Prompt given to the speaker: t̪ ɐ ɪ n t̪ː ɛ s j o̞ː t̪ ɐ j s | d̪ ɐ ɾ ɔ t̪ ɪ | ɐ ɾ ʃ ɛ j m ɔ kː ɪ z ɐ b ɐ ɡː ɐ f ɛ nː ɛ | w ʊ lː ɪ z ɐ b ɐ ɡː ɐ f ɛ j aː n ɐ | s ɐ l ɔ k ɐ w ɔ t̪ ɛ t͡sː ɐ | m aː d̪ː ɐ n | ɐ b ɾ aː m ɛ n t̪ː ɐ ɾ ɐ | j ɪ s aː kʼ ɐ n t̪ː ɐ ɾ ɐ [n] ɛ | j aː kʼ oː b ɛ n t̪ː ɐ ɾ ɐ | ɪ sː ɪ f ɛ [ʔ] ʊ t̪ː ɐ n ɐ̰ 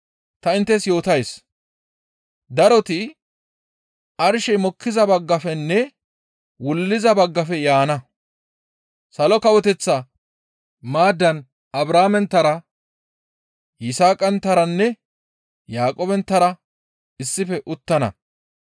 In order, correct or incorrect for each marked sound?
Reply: incorrect, correct

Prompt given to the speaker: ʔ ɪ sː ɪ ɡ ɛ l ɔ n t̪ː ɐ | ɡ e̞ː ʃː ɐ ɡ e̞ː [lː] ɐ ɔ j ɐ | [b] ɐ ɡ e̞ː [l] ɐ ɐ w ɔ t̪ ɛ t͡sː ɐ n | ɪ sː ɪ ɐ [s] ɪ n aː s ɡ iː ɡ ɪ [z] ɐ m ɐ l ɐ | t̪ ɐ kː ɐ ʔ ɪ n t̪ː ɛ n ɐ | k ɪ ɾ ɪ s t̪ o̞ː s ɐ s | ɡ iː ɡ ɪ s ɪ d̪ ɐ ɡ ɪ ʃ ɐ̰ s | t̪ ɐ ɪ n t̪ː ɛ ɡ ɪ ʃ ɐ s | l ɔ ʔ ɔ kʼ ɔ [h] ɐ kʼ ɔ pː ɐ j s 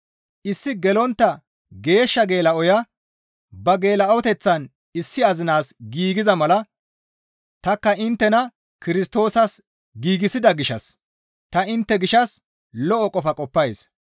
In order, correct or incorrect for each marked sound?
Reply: incorrect, correct, correct, incorrect, correct, incorrect

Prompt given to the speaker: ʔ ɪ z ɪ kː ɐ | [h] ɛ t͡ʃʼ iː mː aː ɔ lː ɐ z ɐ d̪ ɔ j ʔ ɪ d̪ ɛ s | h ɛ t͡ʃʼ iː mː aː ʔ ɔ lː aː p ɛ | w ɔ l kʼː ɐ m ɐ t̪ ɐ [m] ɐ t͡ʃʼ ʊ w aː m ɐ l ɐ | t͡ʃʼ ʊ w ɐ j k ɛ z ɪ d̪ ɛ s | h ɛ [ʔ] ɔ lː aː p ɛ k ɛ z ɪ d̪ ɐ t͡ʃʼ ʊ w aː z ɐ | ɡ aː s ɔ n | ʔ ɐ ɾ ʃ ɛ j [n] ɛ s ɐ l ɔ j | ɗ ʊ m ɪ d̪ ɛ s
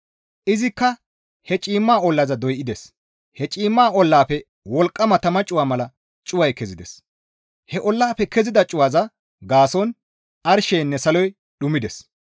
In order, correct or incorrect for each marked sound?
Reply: correct, correct, correct, incorrect

